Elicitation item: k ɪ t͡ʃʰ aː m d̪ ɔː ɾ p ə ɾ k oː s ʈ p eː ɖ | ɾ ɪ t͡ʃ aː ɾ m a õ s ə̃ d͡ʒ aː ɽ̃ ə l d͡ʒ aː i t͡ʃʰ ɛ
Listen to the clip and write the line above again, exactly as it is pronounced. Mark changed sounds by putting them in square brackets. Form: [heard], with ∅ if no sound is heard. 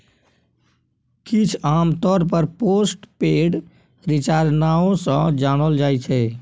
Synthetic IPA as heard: k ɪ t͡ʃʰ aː m [t̪] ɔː ɾ p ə ɾ [p] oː s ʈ p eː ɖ | ɾ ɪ t͡ʃ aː ɾ [n] a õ s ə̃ d͡ʒ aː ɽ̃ ə l d͡ʒ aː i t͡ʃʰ ɛ